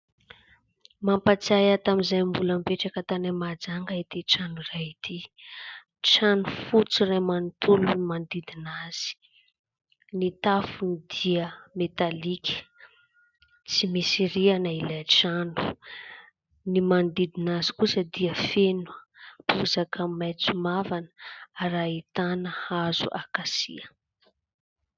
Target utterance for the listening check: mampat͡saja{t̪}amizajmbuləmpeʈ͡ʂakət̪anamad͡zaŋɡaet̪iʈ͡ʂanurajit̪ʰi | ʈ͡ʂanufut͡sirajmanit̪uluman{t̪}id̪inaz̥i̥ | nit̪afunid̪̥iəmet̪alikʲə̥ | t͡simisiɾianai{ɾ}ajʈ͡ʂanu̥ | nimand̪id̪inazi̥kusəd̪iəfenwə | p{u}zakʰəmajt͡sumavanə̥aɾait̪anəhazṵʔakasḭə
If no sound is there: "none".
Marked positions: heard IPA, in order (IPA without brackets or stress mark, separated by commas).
t̪, d̪, l, u